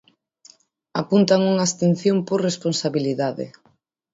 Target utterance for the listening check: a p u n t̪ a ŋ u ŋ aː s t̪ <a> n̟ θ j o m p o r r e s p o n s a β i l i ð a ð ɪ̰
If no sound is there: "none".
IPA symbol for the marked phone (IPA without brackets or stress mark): e